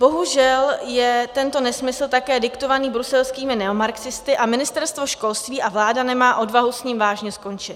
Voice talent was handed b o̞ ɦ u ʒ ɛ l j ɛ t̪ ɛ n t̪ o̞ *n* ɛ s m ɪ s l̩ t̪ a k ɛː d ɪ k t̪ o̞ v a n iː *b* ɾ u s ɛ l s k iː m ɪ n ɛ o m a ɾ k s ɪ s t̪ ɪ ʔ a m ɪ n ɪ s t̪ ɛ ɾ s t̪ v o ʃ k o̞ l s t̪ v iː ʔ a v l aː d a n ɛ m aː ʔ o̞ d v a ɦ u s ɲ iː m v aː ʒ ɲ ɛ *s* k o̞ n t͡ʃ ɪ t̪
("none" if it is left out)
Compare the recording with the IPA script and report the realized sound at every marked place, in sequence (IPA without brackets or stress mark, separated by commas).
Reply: n, b, s